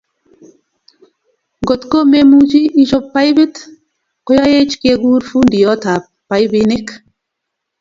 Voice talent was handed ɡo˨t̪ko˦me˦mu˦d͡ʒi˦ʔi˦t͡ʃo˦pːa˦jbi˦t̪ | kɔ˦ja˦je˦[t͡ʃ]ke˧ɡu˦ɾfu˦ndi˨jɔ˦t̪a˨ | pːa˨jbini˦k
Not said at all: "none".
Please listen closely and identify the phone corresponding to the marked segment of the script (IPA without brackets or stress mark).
t͡ʃ